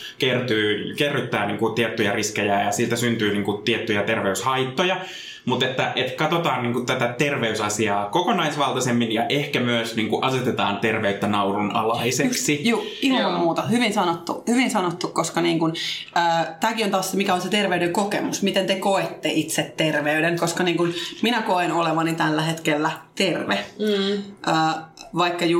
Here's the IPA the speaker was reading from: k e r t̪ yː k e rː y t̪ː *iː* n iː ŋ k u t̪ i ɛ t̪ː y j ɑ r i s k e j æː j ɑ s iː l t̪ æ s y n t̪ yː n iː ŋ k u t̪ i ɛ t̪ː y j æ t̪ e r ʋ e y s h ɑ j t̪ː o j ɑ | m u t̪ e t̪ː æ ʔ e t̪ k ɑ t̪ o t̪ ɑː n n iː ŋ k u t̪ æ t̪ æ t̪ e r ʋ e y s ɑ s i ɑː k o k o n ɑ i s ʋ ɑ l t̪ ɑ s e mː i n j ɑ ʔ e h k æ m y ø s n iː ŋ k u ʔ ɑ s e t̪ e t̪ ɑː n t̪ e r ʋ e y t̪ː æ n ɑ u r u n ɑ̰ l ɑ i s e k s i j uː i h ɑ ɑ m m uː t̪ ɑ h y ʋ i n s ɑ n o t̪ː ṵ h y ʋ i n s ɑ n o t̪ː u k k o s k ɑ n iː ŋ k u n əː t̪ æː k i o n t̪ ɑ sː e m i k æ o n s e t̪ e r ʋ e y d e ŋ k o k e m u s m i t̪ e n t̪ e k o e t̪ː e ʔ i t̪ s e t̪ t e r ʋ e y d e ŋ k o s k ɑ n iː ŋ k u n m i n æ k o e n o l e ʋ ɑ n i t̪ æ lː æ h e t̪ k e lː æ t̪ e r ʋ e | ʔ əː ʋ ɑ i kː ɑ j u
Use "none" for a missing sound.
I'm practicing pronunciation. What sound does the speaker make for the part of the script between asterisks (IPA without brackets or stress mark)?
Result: æː